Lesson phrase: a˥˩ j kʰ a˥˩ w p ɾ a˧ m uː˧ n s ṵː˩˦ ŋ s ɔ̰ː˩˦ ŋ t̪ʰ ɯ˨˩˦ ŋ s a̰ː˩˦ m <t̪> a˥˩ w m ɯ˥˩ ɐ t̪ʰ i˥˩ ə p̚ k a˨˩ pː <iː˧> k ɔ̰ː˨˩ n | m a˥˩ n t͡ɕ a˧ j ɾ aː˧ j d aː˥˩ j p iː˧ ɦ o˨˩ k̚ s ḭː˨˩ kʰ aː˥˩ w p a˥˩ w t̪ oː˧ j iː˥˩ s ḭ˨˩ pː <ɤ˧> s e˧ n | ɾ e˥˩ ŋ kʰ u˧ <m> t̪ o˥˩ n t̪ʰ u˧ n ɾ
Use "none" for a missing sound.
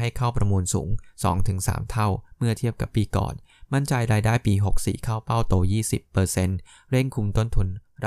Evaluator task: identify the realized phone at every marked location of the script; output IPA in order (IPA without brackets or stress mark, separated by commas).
t̪ʰ, iː˧, ɤː˧, m